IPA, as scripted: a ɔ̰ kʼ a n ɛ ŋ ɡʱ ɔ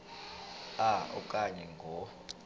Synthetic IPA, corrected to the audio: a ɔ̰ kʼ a ɲ ɛ ŋ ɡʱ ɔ